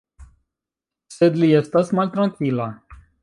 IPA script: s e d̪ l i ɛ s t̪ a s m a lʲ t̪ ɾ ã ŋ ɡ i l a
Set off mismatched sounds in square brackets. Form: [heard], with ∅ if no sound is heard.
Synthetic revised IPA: s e d̪ l i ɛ s t̪ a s m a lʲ t̪ ɾ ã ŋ [k] i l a